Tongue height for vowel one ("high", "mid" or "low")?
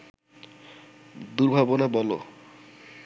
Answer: high